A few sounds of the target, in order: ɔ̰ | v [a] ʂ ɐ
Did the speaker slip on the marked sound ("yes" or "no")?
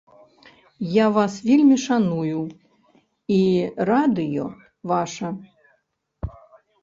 no